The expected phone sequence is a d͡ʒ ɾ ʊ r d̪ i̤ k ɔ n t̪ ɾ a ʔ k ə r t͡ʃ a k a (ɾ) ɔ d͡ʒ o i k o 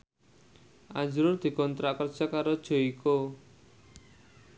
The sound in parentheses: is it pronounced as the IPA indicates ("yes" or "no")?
yes